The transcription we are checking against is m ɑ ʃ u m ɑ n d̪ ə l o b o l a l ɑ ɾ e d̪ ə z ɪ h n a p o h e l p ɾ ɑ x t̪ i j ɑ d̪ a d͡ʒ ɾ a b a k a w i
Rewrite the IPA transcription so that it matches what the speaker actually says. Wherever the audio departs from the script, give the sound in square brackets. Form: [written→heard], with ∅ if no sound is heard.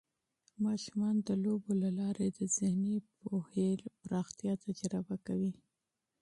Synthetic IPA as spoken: m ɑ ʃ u m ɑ n d̪ ə l o b o l a l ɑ ɾ e d̪ ə z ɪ h n [a→i] p o h e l p ɾ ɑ x t̪ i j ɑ [d̪→t̪] a d͡ʒ ɾ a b a k a w i